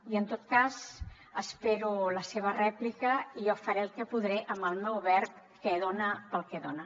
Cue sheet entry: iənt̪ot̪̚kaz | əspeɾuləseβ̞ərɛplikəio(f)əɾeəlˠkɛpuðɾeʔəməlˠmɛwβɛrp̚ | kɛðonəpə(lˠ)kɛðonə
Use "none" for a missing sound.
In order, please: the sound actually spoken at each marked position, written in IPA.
f, lˠ

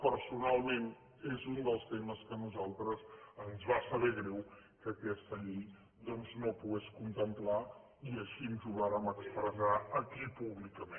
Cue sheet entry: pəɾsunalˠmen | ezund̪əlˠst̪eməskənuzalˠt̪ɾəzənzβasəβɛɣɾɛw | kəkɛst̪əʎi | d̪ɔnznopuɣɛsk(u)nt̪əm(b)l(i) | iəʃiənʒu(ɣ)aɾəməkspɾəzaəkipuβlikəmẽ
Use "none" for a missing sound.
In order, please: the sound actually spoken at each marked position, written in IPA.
u, p, a, ɣ

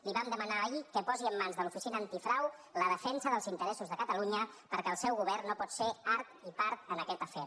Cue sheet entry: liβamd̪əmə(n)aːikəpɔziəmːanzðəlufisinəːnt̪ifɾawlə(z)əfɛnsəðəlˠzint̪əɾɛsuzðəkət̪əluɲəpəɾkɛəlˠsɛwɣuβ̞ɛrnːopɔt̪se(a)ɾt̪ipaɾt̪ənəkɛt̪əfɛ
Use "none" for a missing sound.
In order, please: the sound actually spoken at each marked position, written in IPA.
n, ð, a

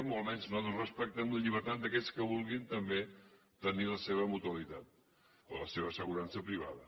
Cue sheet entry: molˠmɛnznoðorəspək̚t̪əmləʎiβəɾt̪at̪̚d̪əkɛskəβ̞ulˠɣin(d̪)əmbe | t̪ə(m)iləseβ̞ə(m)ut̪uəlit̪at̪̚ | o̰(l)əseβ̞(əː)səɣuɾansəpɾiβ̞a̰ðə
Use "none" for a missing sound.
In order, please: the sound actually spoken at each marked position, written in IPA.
t̪, n, m, l, ə

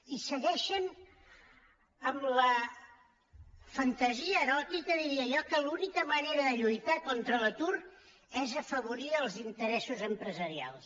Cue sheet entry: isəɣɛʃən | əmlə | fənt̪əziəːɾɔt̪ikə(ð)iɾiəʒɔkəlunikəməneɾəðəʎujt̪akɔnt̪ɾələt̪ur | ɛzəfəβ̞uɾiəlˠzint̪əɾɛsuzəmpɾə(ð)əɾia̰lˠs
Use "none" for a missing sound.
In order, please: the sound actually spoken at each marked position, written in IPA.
ð, z

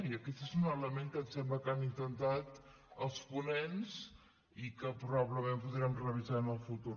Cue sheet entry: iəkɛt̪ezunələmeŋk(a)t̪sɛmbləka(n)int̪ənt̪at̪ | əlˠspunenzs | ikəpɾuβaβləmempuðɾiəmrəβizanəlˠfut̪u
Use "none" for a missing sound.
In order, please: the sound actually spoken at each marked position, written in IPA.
ə, n

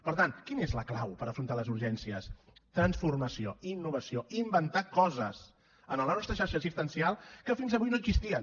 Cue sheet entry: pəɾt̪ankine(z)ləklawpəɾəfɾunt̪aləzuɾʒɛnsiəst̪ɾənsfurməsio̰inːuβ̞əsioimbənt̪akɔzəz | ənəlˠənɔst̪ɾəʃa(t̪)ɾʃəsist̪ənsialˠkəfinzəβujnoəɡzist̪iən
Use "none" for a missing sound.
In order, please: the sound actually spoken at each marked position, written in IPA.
z, none

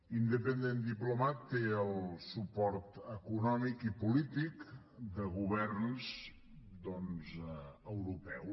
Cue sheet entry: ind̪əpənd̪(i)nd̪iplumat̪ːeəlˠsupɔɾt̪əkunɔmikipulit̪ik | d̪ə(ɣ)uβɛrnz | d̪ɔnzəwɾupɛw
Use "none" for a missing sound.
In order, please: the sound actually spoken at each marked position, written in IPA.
e, ɣ

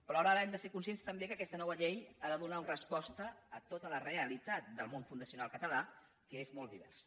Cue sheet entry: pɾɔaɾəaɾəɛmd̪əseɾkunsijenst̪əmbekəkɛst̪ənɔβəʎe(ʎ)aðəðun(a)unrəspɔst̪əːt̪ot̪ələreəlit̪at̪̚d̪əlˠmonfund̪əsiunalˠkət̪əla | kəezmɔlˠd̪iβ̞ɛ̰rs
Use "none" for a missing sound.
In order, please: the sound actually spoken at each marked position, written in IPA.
j, a

